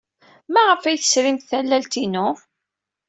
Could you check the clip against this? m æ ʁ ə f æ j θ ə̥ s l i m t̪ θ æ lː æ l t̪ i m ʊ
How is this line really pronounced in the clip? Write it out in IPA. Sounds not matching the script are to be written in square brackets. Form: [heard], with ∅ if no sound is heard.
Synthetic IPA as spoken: m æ ʁ ə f æ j θ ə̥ s [ɾ] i m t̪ θ æ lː æ l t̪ i [n] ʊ